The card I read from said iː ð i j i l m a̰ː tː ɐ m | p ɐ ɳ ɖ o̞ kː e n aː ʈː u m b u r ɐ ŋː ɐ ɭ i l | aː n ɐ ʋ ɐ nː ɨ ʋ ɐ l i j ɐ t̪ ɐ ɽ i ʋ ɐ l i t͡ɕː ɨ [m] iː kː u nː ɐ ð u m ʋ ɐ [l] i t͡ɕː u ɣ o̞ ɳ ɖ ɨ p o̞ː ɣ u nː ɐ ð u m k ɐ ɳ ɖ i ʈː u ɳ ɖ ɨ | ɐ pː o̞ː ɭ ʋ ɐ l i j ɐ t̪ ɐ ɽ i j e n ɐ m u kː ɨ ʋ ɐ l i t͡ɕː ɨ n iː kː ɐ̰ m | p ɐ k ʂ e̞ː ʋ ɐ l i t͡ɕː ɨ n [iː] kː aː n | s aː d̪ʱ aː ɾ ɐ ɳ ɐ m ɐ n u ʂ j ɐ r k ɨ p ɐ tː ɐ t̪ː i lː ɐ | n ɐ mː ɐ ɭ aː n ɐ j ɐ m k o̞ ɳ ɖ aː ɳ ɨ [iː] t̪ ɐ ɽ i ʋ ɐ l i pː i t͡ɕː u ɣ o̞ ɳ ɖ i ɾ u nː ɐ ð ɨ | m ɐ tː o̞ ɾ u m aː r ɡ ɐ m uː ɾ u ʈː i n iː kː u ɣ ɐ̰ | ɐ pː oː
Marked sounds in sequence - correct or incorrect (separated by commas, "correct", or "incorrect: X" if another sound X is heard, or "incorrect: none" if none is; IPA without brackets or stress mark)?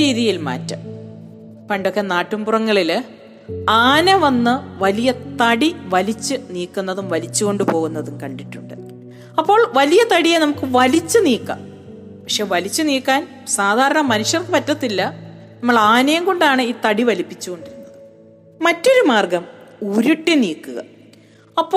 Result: incorrect: n, correct, correct, correct